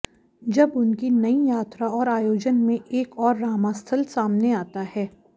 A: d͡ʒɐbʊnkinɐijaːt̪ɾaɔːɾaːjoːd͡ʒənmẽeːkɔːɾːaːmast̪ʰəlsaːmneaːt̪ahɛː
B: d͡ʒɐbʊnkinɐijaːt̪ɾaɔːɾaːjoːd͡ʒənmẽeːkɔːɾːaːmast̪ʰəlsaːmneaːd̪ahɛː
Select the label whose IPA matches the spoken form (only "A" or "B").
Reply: A